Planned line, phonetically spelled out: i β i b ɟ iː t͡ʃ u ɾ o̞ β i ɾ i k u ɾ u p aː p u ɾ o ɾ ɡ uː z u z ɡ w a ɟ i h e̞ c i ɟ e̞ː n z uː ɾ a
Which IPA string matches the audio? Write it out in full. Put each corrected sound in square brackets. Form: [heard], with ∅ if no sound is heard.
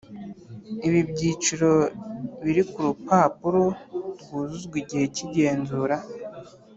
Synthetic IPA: i β i b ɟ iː t͡ʃ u ɾ o̞ β i ɾ i k u ɾ u p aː p u ɾ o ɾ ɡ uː z u z ɡ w [i] ɟ i h e̞ c i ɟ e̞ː n z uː ɾ a